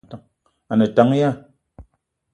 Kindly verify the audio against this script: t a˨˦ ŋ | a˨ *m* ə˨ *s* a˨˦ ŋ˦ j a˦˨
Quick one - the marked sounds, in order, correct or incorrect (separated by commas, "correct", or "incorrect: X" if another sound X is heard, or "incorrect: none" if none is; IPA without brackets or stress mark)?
incorrect: n, incorrect: t